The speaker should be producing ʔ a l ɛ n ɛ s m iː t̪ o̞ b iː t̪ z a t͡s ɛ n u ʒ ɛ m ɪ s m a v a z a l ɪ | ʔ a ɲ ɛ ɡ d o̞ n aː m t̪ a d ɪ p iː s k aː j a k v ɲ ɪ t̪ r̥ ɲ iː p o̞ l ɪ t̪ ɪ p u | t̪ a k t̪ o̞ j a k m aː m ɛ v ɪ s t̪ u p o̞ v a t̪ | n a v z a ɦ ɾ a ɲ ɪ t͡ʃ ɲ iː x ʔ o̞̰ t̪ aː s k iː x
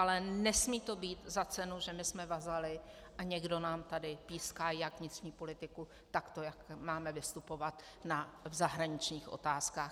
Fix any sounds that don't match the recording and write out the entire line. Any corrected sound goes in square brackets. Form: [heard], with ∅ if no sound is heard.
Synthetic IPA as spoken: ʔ a l ɛ n ɛ s m iː t̪ o̞ b iː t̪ z a t͡s ɛ n u ʒ ɛ m ɪ s m [ɛ] v a z a l ɪ | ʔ a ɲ ɛ ɡ d o̞ n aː m t̪ a d ɪ p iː s k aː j a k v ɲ ɪ t̪ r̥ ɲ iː p o̞ l ɪ t̪ ɪ [k] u | t̪ a k t̪ o̞ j a k m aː m ɛ v ɪ s t̪ u p o̞ v a t̪ | n a v z a ɦ ɾ a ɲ ɪ t͡ʃ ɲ iː x ʔ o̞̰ t̪ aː s k [aː] x